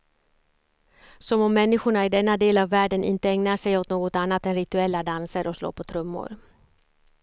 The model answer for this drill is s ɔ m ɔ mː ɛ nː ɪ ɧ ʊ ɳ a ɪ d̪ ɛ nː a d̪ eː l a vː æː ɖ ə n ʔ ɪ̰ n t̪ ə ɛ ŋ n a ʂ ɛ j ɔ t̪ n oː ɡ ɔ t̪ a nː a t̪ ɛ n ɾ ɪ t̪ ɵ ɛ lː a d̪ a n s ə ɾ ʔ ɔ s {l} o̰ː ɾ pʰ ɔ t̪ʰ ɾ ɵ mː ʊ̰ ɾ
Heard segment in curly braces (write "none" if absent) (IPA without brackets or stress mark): l